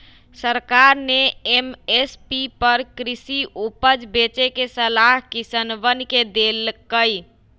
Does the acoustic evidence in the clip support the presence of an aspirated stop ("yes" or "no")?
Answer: no